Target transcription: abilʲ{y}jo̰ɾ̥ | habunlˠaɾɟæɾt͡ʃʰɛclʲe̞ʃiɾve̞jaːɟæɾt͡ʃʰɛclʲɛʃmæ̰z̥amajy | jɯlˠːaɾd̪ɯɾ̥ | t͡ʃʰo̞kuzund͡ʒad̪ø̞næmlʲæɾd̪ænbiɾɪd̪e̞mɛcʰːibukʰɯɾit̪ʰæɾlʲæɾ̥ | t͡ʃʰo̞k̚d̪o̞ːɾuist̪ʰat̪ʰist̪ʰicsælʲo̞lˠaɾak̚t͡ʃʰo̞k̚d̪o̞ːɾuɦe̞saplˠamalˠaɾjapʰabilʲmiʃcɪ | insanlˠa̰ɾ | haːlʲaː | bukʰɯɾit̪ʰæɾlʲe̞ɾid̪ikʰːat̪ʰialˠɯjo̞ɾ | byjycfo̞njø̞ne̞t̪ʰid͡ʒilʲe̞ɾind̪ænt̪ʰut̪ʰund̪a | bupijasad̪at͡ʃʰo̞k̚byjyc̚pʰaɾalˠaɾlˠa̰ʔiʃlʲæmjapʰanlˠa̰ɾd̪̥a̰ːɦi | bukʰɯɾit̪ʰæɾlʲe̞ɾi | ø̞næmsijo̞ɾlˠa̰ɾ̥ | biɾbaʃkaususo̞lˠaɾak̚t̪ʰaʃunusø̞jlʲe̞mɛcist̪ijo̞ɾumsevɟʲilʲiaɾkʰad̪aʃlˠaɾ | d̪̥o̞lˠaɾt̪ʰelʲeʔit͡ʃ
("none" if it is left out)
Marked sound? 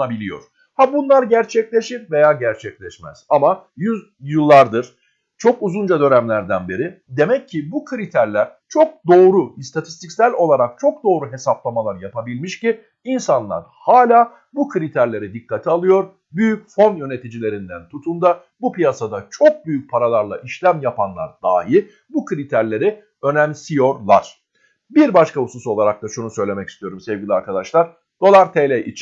i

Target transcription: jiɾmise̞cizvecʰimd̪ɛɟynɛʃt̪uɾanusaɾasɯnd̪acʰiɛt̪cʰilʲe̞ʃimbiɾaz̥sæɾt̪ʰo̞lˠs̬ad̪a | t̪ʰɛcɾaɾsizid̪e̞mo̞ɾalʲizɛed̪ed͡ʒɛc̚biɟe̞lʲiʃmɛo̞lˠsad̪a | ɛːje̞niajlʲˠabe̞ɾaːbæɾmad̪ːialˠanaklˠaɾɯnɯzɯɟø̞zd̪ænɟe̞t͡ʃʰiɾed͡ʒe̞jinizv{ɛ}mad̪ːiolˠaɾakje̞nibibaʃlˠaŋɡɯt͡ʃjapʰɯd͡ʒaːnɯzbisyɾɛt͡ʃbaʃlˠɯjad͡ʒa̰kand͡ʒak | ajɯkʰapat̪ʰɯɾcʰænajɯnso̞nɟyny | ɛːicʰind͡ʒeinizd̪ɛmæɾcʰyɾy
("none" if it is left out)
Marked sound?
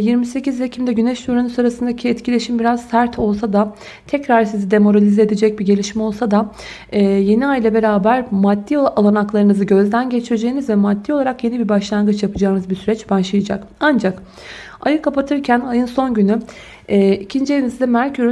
ɛ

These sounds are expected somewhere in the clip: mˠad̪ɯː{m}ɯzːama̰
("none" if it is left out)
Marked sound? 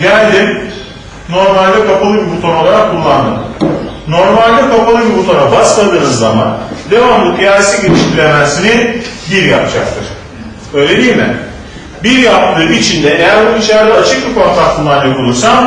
n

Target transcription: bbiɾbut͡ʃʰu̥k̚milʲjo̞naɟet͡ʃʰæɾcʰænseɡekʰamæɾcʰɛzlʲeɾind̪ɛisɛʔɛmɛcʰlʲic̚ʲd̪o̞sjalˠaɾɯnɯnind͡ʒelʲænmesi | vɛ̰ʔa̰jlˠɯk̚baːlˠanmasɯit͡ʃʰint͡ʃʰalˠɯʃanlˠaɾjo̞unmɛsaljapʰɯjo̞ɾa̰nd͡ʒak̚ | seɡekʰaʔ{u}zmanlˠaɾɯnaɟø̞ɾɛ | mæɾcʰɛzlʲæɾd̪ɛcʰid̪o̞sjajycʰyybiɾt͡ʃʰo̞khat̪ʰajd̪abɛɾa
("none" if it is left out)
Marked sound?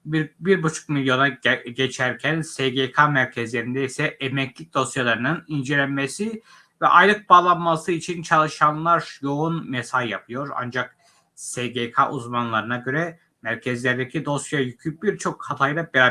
u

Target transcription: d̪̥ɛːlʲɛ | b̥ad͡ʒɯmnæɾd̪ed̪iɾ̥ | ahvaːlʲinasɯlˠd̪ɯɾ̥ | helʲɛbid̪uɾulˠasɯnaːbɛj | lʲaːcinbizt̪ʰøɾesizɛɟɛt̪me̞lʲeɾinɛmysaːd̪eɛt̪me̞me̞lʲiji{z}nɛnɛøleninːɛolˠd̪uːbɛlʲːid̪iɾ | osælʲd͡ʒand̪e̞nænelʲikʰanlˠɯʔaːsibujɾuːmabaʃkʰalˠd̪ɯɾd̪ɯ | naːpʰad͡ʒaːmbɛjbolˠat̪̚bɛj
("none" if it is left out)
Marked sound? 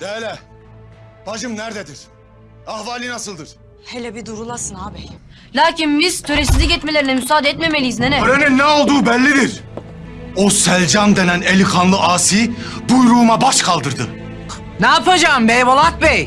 z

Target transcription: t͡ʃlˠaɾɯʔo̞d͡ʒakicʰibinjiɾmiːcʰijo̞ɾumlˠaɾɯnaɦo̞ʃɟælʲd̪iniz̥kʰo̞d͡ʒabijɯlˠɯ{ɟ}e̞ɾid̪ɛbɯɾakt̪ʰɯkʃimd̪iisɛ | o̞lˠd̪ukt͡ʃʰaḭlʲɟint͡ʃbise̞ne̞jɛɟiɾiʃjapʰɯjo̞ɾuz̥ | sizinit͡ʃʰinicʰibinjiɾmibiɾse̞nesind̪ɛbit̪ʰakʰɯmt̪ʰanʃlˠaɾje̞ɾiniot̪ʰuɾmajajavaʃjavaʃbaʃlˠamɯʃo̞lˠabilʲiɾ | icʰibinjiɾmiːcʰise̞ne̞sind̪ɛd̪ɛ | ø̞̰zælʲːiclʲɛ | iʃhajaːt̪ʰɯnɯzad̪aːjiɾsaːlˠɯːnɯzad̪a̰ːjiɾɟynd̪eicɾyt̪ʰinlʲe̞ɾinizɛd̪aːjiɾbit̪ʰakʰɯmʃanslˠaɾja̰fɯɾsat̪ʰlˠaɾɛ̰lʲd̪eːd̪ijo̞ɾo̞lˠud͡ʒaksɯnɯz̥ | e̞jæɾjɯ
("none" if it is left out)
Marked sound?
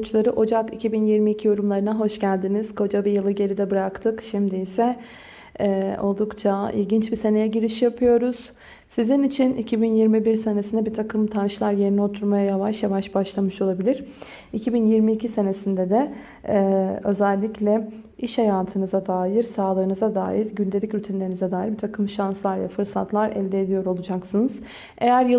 ɟ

